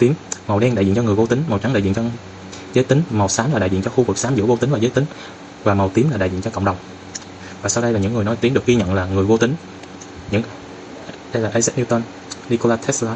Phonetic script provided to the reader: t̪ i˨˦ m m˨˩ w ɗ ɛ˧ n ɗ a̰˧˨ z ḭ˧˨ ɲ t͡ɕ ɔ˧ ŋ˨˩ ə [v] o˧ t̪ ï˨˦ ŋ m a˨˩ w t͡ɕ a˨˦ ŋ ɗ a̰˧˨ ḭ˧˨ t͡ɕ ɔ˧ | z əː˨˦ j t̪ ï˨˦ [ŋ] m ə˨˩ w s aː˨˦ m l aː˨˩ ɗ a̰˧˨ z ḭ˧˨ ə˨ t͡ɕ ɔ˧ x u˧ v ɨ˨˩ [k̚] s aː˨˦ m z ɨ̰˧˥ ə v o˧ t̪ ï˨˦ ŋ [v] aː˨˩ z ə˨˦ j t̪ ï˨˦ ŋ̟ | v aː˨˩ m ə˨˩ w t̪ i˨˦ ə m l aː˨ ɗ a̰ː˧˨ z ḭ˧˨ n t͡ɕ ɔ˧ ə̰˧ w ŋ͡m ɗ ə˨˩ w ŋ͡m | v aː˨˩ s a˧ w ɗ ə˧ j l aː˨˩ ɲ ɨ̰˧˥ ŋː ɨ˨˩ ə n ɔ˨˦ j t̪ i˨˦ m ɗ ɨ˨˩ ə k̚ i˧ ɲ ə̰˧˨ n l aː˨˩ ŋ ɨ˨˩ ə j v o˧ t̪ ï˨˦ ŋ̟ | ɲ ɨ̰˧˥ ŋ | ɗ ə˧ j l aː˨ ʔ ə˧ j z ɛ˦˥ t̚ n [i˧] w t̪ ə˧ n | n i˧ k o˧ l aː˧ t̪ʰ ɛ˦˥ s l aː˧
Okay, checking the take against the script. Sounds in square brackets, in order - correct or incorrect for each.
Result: correct, correct, correct, correct, correct

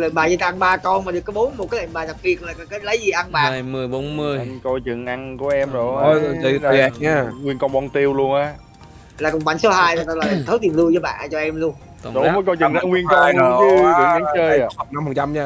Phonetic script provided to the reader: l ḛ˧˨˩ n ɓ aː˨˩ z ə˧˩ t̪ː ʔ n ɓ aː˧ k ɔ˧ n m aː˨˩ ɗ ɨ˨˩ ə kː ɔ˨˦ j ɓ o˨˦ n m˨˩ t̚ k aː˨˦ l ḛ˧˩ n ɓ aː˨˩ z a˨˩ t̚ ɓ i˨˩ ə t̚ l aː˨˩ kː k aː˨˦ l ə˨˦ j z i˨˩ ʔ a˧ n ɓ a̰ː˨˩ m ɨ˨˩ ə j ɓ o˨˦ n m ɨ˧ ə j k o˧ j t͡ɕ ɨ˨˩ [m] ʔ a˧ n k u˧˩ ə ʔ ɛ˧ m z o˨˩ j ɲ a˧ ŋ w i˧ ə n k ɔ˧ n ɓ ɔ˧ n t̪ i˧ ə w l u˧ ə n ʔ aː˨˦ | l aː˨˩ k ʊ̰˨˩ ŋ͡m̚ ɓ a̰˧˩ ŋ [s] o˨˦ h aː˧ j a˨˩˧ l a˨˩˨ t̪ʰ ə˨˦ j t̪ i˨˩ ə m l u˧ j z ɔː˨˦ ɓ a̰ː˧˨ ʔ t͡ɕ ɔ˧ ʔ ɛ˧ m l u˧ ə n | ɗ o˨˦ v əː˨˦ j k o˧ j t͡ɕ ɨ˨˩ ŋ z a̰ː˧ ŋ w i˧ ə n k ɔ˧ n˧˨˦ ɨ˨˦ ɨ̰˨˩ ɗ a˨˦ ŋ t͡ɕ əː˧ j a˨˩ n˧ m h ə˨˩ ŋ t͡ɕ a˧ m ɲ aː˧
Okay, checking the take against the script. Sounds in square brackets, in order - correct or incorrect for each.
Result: incorrect, correct

